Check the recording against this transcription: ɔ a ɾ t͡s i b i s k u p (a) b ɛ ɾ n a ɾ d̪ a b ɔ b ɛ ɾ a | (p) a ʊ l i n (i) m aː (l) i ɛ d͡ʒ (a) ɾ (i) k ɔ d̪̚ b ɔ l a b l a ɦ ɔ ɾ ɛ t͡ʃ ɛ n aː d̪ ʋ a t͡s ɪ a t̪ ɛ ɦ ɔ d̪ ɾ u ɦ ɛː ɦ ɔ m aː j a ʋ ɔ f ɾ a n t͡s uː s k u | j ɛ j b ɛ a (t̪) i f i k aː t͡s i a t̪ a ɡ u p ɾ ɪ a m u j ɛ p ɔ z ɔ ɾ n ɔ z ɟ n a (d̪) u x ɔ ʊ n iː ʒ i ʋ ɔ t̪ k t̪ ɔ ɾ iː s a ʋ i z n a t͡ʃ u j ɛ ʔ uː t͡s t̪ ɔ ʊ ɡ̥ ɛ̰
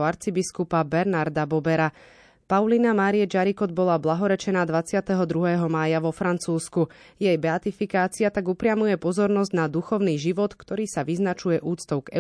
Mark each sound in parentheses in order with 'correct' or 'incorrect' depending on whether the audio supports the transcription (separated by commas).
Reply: correct, correct, incorrect, incorrect, correct, correct, correct, correct